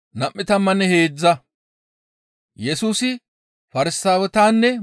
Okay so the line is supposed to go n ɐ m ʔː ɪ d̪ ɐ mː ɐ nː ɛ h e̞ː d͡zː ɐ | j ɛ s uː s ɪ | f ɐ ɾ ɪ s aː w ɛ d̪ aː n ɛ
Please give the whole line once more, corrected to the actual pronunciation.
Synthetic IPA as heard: n ɐ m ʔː ɪ t̪ ɐ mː ɐ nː ɛ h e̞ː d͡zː ɐ | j ɛ s uː s ɪ | f ɐ ɾ ɪ s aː w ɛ t̪ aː nː ɛ